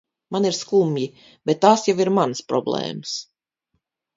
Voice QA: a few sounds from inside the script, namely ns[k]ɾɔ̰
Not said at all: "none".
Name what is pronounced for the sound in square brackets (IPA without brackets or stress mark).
p